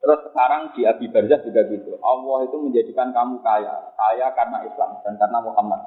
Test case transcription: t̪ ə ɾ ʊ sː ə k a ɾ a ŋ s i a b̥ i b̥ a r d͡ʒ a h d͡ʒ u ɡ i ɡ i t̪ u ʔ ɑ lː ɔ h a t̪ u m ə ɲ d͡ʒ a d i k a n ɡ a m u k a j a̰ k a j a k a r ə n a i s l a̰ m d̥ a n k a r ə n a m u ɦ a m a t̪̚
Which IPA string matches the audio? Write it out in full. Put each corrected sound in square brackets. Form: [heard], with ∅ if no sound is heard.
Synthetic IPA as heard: t̪ ə ɾ ʊ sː ə k a ɾ a ŋ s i a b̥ i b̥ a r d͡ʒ a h d͡ʒ u ɡ [a] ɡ i t̪ u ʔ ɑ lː ɔ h [i] t̪ u m ə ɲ d͡ʒ a d i k a n [k] a m u k a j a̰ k a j a k a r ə n a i s l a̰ m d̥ a n k a r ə n a m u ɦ a m a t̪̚